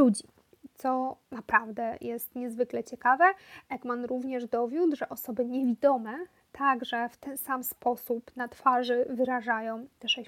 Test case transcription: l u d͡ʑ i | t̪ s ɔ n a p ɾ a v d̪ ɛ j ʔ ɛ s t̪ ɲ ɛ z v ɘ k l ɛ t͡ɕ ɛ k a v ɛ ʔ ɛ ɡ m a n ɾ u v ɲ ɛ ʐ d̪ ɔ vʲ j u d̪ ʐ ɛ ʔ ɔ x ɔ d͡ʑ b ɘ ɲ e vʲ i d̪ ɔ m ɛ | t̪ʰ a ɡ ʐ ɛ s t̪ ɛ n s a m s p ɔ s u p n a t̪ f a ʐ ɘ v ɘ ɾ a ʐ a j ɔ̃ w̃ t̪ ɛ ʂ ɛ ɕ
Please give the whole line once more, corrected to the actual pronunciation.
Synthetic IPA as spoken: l u d͡ʑ i | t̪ s ɔ n a p ɾ a v d̪ ɛ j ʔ ɛ s t̪ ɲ ɛ z v ɘ k l ɛ t͡ɕ ɛ k a v ɛ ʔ ɛ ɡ m a n ɾ u v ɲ ɛ ʐ d̪ ɔ vʲ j u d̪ ʐ ɛ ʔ ɔ s ɔ b ɘ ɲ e vʲ i d̪ ɔ m ɛ | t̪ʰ a ɡ ʐ ɛ f t̪ ɛ n s a m s p ɔ s u p n a t̪ f a ʐ ɘ v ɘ ɾ a ʐ a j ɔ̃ w̃ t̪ ɛ ʂ ɛ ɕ